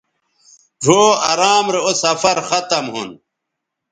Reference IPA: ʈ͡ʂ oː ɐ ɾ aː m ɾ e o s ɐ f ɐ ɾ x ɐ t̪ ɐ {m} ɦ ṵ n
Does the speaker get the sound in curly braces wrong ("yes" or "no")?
no